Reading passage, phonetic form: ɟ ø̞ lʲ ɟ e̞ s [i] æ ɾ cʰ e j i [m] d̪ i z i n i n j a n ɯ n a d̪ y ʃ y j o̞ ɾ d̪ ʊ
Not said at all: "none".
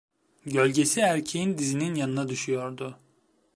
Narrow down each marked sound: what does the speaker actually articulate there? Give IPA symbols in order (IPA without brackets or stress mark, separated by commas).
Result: i, n